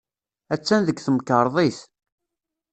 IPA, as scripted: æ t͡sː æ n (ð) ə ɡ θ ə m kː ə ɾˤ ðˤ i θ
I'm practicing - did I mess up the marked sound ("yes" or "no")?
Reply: no